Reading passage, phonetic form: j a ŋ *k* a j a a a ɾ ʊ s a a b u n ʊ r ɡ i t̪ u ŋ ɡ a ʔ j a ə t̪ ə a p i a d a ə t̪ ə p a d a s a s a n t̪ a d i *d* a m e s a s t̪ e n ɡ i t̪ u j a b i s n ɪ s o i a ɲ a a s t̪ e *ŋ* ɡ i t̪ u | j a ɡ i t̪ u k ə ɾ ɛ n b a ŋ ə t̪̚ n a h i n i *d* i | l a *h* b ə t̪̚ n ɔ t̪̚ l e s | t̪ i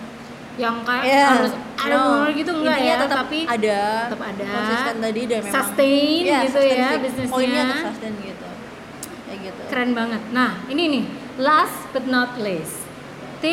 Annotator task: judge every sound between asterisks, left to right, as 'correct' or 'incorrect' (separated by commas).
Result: correct, correct, incorrect, incorrect, incorrect